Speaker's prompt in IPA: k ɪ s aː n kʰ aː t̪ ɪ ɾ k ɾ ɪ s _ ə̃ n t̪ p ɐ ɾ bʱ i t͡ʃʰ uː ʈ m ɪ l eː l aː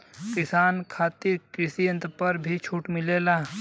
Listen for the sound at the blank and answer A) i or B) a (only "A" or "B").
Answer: A